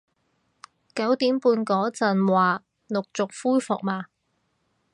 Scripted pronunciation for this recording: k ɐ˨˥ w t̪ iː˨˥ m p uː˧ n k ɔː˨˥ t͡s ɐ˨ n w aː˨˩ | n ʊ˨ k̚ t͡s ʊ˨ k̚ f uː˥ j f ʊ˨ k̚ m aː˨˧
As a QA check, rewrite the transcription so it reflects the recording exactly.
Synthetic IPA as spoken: k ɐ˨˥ w t̪ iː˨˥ m p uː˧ n k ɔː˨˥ t͡s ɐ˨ n w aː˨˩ | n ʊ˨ k̚ t͡s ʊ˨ k̚ f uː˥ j f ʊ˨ k̚ m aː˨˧